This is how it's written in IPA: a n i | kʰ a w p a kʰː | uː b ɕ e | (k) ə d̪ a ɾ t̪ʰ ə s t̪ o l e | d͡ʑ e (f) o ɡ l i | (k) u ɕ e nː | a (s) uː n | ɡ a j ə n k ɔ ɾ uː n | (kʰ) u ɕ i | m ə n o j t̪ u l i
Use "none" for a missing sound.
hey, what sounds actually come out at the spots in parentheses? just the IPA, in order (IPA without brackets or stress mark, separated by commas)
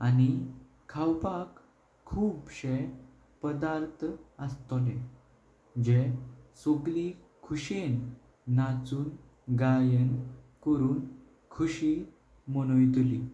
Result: p, s, kʰ, t͡s, kʰ